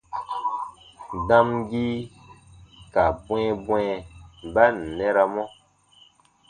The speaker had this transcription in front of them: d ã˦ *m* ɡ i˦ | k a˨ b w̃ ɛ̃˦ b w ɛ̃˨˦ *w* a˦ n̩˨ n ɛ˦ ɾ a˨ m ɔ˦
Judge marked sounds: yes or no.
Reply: yes, no

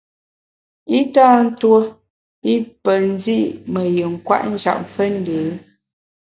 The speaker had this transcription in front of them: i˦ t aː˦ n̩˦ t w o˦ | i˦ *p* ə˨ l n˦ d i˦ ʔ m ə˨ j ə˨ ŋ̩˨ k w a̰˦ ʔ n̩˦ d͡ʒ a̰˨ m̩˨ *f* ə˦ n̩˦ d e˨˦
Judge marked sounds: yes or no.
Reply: yes, yes

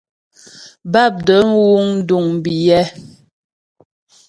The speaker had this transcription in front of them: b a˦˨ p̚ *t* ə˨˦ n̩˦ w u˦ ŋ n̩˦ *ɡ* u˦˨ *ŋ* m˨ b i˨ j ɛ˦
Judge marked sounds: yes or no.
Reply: no, no, yes

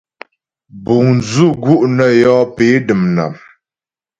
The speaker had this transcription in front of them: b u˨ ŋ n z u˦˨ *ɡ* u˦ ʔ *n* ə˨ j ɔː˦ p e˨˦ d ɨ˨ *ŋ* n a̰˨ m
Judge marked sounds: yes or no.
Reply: yes, yes, no

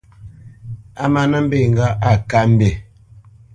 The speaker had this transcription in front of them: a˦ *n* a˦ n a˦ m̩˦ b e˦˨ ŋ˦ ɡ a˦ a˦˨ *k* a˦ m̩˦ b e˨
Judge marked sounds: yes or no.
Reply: no, yes

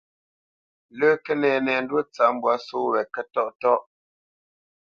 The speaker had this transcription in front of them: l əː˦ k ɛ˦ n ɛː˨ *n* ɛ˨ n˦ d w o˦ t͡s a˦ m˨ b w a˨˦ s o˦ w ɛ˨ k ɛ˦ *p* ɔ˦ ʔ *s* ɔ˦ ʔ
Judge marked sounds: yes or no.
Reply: yes, no, no

